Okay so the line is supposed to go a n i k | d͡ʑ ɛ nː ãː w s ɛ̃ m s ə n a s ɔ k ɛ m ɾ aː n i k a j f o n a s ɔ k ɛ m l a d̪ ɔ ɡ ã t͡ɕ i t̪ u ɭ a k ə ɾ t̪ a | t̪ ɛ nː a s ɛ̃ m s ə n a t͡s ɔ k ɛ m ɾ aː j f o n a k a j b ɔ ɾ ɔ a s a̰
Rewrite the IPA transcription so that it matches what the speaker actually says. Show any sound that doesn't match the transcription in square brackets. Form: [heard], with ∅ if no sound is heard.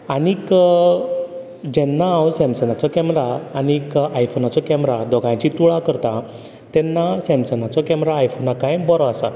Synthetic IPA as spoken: a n i k | d͡ʑ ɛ nː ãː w s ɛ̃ m s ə n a [t͡s] ɔ k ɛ m ɾ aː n i k a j f o n a [t͡s] ɔ k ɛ m [ɾ] a d̪ ɔ ɡ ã t͡ɕ i t̪ u ɭ a k ə ɾ t̪ a | t̪ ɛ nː a s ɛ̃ m s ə n a t͡s ɔ k ɛ m ɾ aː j f o n a k a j b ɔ ɾ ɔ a s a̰